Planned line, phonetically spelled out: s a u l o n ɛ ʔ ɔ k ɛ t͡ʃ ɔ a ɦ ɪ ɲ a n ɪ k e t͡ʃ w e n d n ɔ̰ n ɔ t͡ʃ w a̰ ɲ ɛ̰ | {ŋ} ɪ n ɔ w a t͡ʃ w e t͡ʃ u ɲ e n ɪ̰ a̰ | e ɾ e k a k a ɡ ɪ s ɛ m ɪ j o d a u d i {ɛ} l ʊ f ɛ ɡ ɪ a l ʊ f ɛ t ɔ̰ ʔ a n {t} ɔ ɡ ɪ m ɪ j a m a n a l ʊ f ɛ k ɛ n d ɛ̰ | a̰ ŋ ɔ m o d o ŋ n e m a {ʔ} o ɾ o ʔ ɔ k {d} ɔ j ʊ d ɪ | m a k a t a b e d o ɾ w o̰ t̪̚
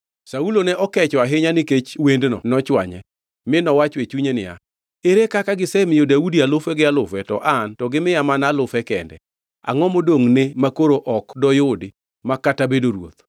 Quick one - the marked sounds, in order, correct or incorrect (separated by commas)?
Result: incorrect, incorrect, correct, incorrect, correct